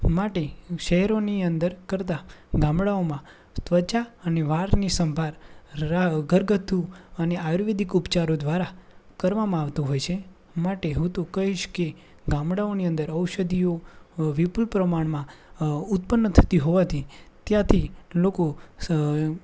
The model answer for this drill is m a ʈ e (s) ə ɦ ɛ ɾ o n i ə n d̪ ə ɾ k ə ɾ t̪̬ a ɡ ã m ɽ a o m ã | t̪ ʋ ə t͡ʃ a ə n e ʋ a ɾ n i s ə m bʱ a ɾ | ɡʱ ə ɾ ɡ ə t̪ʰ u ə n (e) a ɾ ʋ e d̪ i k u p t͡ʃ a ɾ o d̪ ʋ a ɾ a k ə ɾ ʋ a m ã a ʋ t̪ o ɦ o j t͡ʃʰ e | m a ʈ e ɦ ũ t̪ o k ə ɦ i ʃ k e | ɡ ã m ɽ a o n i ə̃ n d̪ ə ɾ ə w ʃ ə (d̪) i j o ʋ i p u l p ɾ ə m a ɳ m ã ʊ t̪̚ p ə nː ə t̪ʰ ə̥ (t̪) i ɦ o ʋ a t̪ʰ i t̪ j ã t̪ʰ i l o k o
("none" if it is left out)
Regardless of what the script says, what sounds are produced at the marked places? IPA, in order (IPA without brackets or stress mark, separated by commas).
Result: ʃ, e, d̪, t̪